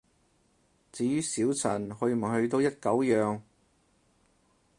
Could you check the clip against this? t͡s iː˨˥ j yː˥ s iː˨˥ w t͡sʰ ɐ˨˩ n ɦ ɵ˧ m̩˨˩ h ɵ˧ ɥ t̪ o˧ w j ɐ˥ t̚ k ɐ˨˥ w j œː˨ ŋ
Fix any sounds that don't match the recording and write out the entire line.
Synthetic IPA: t͡s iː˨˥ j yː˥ s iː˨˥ w t͡sʰ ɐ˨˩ n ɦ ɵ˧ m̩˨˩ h ɵ˧ ɥ t̪ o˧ w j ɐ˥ t̚ k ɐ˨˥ w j œː˨ ŋ